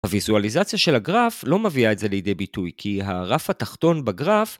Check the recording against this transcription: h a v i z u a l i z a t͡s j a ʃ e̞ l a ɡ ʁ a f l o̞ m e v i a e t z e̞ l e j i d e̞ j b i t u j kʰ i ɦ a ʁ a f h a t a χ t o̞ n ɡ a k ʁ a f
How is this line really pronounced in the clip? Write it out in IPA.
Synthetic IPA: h a v i z u a l i z a t͡s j a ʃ e̞ l a ɡ ʁ a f l o̞ m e v i a e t z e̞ l e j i d e̞ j b i t u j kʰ i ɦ a ʁ a f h a t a χ t o̞ n b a ɡ ʁ a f